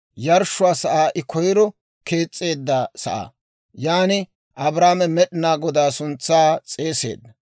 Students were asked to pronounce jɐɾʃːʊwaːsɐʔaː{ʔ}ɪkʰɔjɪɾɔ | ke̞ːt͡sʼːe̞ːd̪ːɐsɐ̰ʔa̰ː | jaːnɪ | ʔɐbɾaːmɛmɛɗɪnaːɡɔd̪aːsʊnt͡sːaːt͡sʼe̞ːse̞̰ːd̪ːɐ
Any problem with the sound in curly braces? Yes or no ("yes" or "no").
no